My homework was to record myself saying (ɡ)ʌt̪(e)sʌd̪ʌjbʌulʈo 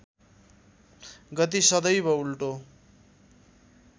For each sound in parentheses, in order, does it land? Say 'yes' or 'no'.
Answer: yes, no

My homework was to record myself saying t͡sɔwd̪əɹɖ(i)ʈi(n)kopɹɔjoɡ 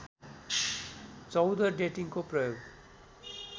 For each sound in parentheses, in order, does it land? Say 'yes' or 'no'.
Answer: no, no

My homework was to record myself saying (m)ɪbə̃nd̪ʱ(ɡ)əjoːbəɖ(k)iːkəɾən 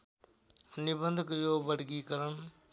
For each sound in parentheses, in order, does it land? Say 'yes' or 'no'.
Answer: no, no, no

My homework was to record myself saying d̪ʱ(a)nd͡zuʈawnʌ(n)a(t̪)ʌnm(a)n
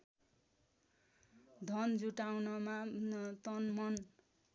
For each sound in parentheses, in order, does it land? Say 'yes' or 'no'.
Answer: no, no, yes, no

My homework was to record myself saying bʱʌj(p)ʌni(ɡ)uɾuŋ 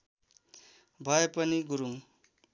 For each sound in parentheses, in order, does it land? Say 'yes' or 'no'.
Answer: yes, yes

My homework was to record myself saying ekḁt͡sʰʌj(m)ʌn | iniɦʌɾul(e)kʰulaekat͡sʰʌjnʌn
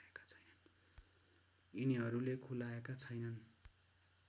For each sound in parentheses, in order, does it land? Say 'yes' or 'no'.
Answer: no, yes

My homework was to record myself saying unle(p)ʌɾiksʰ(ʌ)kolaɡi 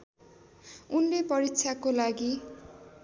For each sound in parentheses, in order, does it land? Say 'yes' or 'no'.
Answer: yes, no

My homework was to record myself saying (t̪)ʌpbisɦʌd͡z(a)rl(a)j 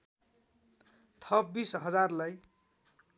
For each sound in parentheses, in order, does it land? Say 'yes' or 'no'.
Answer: no, yes, yes

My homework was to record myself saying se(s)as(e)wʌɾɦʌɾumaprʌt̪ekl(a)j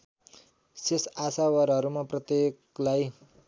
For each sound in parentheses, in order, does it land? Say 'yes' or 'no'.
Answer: yes, no, yes

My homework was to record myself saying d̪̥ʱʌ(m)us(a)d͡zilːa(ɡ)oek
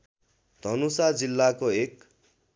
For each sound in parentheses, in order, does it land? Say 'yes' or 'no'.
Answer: no, yes, no

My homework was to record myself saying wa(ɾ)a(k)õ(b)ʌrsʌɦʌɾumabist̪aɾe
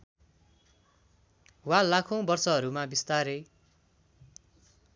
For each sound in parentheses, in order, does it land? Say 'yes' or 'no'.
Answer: no, no, yes

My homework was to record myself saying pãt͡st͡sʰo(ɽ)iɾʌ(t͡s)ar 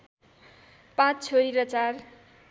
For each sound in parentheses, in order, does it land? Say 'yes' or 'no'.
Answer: no, yes

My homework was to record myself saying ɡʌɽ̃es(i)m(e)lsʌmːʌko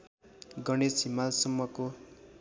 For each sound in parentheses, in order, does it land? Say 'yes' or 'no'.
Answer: yes, no

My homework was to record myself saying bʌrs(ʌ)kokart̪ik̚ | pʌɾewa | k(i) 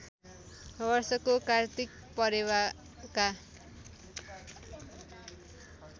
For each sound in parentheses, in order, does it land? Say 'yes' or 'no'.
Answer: yes, no

